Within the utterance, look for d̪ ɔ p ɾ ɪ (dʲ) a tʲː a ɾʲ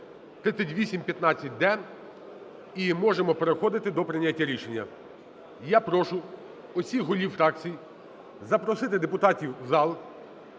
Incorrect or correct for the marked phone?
incorrect: nʲ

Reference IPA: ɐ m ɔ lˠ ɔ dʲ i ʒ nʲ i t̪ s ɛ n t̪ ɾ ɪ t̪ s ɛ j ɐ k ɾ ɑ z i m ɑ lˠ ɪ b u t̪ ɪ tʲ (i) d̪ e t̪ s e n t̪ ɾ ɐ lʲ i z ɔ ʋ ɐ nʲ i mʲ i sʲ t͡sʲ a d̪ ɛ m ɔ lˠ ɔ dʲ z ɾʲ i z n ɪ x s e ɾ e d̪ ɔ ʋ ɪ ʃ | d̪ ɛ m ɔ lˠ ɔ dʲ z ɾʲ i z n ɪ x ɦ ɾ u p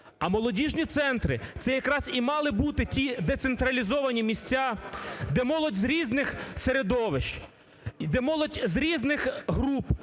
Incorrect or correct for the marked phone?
correct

